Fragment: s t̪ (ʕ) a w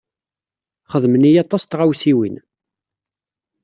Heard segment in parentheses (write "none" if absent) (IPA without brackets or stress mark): ʁ